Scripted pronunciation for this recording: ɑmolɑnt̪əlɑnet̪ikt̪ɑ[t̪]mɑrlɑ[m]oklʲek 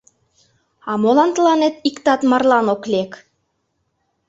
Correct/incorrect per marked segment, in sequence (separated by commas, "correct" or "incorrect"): correct, incorrect